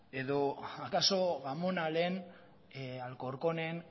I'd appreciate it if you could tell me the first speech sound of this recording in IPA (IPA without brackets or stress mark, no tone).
e̞